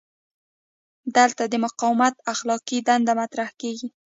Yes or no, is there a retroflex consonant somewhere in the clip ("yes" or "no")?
no